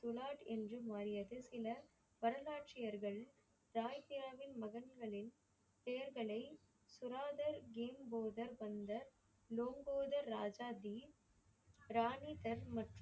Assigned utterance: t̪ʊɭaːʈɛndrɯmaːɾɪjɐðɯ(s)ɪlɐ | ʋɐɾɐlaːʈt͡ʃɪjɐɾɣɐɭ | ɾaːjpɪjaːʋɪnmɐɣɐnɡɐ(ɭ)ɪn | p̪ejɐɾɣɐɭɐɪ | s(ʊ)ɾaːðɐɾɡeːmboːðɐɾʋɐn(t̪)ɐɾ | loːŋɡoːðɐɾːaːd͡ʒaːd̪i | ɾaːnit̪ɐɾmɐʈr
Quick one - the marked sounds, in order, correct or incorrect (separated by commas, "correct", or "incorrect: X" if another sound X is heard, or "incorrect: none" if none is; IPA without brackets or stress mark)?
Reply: correct, correct, correct, incorrect: d̪